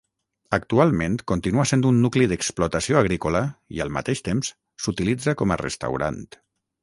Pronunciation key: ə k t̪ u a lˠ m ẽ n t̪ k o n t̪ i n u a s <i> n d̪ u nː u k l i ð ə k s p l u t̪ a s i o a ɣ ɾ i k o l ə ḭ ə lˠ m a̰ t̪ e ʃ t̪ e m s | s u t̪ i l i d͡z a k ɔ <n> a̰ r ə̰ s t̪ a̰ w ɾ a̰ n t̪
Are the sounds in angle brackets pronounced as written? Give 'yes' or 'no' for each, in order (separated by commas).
no, no